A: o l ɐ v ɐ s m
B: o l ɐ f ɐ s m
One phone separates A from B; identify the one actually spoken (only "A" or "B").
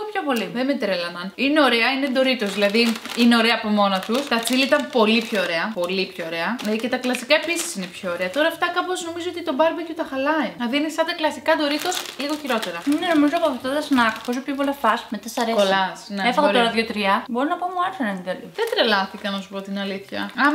B